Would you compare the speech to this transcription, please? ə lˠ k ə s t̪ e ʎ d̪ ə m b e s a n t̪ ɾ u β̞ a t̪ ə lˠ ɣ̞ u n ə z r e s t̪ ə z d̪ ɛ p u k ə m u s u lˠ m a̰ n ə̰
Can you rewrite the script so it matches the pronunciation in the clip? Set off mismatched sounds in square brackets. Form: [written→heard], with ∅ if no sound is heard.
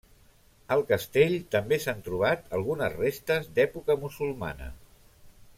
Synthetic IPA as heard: ə lˠ k ə s t̪ e ʎ [d̪→t̪] ə m b e s a n t̪ ɾ u β̞ a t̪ ə lˠ ɣ̞ u n ə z r e s t̪ ə z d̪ ɛ p u k ə m u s u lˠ m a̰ n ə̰